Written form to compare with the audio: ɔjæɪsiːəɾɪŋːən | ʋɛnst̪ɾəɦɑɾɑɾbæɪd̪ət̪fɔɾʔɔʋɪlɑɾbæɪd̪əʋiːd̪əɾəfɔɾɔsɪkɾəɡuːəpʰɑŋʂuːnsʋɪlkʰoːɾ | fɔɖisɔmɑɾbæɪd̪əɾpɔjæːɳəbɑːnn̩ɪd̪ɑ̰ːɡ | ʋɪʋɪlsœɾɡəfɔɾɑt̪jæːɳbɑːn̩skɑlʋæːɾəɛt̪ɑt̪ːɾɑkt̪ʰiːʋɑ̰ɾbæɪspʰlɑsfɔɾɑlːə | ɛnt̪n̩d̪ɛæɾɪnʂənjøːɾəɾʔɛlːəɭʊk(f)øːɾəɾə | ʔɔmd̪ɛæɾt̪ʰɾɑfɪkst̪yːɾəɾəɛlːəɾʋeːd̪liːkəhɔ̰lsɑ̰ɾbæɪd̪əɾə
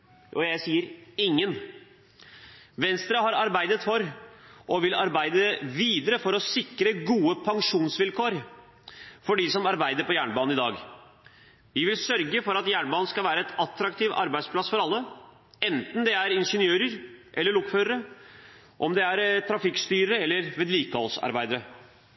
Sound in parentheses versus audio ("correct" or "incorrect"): correct